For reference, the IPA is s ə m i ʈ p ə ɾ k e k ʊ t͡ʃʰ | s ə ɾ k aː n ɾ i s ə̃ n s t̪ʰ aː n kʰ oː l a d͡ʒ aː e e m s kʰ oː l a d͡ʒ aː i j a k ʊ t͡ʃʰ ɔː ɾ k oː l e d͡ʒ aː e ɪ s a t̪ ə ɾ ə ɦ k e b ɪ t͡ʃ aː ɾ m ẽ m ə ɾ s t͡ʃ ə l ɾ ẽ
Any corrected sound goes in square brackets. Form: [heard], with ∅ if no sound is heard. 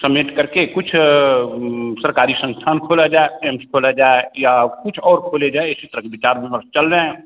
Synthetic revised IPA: s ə m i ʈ [k] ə ɾ k e k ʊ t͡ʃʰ | s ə ɾ k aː [∅] ɾ i s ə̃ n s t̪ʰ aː n kʰ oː l a d͡ʒ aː e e m s kʰ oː l a d͡ʒ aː [e] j a k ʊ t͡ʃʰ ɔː ɾ [kʰ] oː l e d͡ʒ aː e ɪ s [i] t̪ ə ɾ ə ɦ k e b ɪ t͡ʃ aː ɾ m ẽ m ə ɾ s t͡ʃ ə l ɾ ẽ